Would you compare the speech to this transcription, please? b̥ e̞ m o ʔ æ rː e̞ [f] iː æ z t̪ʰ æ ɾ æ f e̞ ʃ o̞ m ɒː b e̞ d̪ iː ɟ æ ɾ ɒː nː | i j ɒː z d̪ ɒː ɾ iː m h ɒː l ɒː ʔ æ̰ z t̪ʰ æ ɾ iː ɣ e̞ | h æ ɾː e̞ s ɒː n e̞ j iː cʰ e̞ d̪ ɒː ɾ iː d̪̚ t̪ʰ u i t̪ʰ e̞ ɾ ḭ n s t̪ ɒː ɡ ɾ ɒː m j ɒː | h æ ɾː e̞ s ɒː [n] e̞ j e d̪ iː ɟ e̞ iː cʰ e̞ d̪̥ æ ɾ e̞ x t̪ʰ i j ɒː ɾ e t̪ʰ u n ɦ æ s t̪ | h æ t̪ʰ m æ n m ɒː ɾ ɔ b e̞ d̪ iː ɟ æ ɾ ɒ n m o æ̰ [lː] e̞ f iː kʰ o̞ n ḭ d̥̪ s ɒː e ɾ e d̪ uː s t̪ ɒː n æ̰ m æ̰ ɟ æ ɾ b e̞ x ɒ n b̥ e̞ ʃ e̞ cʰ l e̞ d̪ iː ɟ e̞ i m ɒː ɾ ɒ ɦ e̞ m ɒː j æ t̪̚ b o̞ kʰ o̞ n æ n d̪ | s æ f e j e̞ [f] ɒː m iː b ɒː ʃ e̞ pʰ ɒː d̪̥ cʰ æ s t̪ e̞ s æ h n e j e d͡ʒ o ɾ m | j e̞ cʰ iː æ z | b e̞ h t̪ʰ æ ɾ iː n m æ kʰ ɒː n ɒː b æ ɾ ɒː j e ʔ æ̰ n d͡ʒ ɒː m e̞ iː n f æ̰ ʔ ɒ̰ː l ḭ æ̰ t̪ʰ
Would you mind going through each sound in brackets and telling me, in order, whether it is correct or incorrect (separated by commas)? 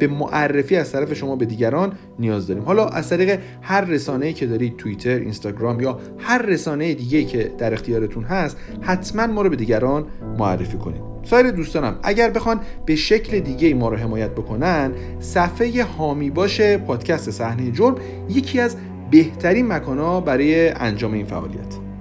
correct, correct, incorrect, incorrect